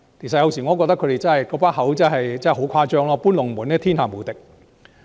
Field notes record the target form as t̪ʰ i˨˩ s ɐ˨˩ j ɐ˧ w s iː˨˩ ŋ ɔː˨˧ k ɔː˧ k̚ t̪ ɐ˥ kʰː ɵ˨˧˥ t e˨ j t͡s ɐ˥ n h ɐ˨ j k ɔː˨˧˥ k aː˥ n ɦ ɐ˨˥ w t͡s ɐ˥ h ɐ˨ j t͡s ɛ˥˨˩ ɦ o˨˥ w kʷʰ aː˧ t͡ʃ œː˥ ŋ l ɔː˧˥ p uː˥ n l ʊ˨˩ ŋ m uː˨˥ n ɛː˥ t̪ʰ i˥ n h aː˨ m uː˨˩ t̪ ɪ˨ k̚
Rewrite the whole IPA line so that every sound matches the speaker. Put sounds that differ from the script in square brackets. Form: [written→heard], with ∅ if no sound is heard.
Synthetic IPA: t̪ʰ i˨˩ s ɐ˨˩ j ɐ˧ w s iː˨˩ ŋ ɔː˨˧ k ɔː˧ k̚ t̪ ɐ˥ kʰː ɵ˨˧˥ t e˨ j t͡s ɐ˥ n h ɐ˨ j k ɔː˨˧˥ [k→p] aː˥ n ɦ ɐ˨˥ w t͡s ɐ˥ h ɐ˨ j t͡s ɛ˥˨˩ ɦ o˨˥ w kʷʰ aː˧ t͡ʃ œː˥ ŋ l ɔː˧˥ p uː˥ n l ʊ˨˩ ŋ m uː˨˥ n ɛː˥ t̪ʰ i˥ n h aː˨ m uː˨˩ t̪ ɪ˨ k̚